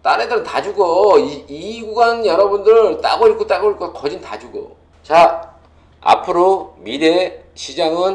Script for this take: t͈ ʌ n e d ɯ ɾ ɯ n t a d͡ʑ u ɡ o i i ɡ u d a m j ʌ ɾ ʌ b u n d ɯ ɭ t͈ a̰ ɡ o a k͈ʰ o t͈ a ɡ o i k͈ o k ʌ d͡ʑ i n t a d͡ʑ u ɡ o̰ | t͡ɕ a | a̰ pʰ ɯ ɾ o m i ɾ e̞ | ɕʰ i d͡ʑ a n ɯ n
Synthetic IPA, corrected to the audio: t͈ a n e d ɯ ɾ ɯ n t a d͡ʑ u ɡ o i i ɡ u ɡ a n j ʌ ɾ ʌ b u n d ɯ ɭ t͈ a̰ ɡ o i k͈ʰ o t͈ a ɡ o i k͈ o k ʌ d͡ʑ i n t a d͡ʑ u ɡ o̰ | t͡ɕ a | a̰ pʰ ɯ ɾ o m i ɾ e̞ | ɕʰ i d͡ʑ a ŋ ɯ n